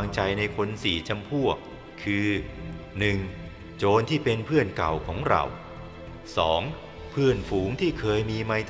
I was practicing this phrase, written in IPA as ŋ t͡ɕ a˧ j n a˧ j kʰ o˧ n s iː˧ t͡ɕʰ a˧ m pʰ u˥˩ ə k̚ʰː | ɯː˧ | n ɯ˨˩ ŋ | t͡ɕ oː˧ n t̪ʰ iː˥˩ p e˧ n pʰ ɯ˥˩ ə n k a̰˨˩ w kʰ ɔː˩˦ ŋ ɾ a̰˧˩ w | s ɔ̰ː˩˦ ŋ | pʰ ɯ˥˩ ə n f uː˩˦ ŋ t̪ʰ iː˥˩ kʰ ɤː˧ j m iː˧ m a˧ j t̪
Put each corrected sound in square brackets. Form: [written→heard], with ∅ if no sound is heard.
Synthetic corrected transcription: ŋ t͡ɕ a˧ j n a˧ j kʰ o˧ n s [iː˧→iː˩˦] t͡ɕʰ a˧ m pʰ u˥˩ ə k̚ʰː | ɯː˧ | n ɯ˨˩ ŋ | t͡ɕ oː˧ n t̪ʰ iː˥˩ p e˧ n pʰ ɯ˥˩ ə n k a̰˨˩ w kʰ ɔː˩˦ ŋ ɾ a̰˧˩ w | s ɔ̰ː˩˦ ŋ | pʰ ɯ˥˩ ə n f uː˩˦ ŋ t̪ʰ iː˥˩ kʰ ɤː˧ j m iː˧ m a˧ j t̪